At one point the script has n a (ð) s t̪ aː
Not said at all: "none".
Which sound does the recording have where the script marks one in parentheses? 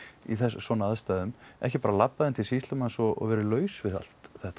ð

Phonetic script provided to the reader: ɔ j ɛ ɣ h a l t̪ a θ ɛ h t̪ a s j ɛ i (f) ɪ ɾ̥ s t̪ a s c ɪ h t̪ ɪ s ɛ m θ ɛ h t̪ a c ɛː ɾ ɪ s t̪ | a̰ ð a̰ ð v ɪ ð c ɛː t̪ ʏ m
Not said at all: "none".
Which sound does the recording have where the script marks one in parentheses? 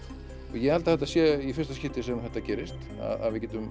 f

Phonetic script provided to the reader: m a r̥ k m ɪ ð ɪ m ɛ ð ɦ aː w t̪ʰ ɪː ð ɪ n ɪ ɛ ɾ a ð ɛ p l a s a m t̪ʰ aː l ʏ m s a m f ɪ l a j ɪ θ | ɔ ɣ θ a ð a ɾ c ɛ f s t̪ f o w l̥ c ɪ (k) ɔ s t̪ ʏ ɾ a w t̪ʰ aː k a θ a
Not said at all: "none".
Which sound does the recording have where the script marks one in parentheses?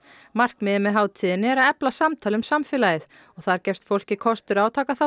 kʰ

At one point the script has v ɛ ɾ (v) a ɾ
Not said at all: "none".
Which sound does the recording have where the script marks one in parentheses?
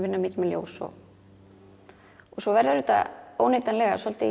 ð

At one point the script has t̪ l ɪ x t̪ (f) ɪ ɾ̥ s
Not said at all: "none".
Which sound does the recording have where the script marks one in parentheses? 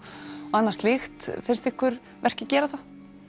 f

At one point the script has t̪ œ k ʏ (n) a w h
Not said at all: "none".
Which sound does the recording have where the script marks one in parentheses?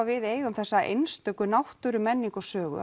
n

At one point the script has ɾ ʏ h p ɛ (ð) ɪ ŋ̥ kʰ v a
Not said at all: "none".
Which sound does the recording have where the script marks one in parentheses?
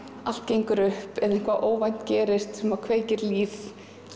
ð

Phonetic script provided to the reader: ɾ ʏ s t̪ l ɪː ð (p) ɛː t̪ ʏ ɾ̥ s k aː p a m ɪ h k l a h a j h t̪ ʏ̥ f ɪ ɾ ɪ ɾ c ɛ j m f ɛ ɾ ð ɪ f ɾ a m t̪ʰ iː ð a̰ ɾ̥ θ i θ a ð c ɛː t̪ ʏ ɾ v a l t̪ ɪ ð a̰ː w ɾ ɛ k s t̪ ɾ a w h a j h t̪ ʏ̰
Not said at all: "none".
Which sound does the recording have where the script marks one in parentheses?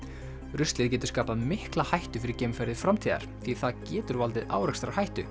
c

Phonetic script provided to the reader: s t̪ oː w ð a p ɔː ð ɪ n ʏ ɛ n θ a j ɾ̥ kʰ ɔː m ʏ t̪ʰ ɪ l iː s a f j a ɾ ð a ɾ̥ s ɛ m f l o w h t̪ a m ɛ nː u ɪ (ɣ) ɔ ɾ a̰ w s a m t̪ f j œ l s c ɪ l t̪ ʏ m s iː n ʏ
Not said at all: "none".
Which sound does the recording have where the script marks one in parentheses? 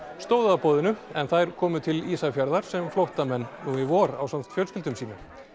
v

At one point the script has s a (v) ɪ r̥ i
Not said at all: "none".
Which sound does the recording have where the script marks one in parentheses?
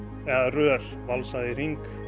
ð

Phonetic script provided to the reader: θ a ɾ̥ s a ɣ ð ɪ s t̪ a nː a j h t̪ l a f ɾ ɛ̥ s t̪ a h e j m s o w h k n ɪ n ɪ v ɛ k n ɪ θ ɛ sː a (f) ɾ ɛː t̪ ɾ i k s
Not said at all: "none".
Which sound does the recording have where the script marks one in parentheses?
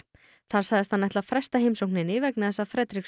f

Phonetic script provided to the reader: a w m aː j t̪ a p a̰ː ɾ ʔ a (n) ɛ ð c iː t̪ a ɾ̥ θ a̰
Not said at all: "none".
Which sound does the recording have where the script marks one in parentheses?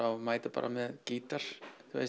m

